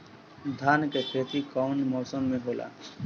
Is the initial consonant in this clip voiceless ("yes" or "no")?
no